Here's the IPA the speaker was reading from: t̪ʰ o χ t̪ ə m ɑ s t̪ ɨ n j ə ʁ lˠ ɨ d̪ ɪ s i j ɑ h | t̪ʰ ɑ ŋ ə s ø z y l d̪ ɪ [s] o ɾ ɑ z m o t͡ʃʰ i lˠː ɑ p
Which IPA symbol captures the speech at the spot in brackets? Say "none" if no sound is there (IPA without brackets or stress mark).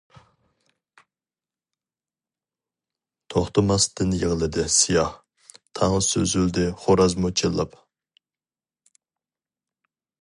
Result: χ